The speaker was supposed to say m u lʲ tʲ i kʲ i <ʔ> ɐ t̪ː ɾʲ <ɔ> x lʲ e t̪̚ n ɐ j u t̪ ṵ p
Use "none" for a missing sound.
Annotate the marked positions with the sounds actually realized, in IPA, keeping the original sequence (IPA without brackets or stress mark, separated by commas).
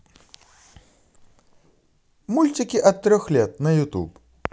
ʔ, ɔ